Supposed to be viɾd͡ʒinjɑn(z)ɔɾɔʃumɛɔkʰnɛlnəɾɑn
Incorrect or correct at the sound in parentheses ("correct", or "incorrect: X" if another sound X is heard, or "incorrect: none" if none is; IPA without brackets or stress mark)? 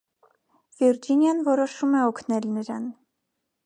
incorrect: v